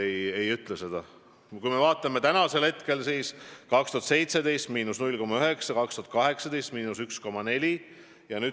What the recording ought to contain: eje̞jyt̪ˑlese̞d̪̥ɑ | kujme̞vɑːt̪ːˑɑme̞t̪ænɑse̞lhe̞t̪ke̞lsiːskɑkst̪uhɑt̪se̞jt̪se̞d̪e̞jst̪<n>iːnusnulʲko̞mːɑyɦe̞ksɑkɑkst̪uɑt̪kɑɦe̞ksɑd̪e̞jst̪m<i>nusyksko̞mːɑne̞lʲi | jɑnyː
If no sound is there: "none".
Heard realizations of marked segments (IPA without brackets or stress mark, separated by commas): m, iː